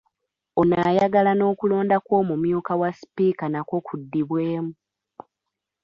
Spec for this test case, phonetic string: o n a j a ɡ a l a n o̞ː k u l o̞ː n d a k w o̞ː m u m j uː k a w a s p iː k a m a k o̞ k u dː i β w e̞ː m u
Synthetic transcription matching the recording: o n a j a ɡ a l a n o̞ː k u l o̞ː n d a k w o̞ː m u m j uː k a w a s p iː k a n a k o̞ k u dː i β w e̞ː m u

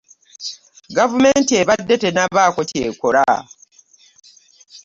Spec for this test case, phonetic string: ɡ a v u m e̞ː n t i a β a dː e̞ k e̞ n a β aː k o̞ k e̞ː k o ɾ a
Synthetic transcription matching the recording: ɡ a v u m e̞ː n t i e β a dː e̞ t e̞ n a β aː k o̞ c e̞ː k o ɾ a

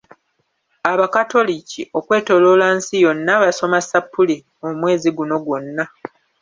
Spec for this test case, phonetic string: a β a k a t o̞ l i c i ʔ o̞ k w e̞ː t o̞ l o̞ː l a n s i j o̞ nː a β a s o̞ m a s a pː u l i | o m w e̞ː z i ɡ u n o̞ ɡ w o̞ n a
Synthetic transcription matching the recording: a β a k a t o̞ l i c i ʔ o̞ k w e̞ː t o̞ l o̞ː l a n s i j o̞ nː a β a s o̞ m a s a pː u l i | o m w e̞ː z i ɡ u n o̞ ɡ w o̞ nː a

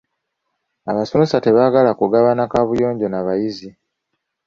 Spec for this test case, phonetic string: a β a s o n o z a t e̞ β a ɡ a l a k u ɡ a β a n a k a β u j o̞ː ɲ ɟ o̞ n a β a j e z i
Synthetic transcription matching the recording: a β a s o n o s a t e̞ β a ɡ a l a k u ɡ a β a n a k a β u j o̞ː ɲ ɟ o̞ n a β a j i z i

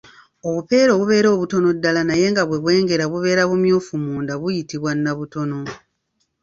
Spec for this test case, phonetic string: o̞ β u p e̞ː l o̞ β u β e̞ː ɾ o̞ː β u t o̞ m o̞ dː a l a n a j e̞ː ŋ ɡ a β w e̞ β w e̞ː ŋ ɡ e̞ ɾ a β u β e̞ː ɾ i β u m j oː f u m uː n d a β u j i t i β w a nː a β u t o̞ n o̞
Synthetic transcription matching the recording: o̞ β u p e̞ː ɾ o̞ β u β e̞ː ɾ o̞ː β u t o̞ n o̞ dː a l a n a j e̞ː ŋ ɡ a β w e̞ β w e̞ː ŋ ɡ e̞ ɾ a β u β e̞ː ɾ a β u m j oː f u m uː n d a β u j i t i β w a nː a β u t o̞ n o̞

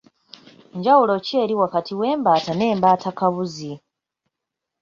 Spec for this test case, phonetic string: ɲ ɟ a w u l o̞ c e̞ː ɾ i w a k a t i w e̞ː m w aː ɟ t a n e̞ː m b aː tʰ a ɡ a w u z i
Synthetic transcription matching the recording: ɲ ɟ a w u l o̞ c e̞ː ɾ i w a k a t i w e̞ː m b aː t a n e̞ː m b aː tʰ a k a β u z i

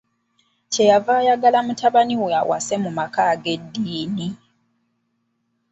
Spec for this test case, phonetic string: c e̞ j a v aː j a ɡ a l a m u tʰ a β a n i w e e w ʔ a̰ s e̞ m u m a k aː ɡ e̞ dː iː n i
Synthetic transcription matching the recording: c e̞ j a v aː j a ɡ a l a m u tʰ a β a n i w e a w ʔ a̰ s e̞ m u m a k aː ɡ e̞ dː iː n i

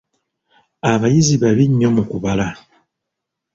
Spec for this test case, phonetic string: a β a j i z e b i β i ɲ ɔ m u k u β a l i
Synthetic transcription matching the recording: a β a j i z i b a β i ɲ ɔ m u k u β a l a

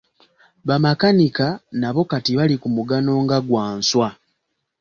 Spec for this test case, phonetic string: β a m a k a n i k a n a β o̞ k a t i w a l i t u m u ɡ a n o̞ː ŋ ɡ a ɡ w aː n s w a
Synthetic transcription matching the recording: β a m a k a n i k a n a β o̞ k a t i β a l i k u m u ɡ a n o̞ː ŋ ɡ a ɡ w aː n s w a

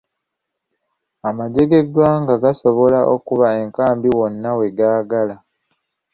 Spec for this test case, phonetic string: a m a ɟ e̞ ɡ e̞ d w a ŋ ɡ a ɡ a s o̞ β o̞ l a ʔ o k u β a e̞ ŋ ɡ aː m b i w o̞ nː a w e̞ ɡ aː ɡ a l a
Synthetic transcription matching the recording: a m a ɟ e̞ ɡ e̞ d w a ŋ ɡ a ɡ a s o̞ β o̞ l a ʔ o k u β a e̞ ŋ k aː m b i w o̞ nː a w e̞ ɡ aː ɡ a l a

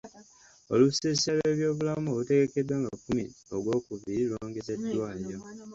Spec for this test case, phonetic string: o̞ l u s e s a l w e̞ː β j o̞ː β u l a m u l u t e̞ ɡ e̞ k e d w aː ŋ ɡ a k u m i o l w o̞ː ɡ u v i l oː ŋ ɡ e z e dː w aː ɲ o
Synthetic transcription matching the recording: o̞ l u s e s a l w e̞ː β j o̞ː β u l a m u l u t e̞ ɡ e̞ k e d w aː ŋ ɡ a k u m i o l w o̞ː k u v i l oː ŋ ɡ e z e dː w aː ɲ o

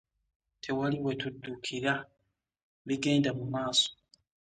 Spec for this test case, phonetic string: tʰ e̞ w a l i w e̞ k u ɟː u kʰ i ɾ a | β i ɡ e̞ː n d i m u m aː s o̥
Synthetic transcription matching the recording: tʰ e̞ w a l i w e̞ t u dː u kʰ i ɾ a | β i ɡ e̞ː n d a m u m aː s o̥

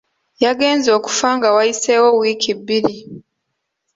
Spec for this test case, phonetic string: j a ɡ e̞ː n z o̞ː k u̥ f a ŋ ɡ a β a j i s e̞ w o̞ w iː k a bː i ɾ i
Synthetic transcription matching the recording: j a ɡ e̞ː n z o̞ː k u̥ f a ŋ ɡ a w a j i s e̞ w o̞ w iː k i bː i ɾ i

